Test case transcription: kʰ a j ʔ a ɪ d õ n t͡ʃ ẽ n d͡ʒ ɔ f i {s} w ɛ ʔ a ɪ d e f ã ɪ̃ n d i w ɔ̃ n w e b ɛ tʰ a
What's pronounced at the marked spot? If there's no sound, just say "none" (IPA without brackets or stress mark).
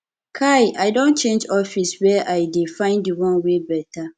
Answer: s